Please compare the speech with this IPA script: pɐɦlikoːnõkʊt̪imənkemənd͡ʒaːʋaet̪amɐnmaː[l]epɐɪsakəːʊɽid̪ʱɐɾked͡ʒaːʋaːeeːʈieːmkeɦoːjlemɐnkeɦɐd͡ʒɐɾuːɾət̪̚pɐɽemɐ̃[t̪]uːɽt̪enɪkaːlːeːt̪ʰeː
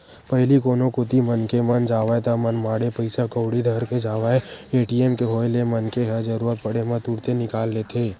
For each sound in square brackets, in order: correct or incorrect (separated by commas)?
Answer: incorrect, correct